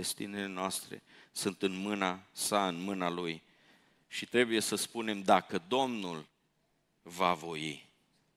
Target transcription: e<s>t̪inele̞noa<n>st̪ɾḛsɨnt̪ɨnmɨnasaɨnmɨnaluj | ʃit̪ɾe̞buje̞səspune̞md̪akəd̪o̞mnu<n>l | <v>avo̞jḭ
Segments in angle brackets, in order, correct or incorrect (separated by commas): correct, incorrect, incorrect, correct